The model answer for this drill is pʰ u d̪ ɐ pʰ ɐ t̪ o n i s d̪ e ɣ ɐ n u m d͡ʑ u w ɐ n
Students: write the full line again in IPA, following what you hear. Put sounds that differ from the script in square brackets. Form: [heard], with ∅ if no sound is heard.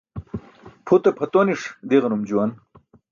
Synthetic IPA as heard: pʰ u [t̪] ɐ pʰ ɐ t̪ o n i [ʂ] d̪ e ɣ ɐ n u m d͡ʑ u w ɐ n